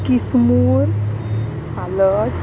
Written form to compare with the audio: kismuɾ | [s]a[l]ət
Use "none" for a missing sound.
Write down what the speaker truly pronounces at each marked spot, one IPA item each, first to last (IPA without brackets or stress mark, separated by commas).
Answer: s, l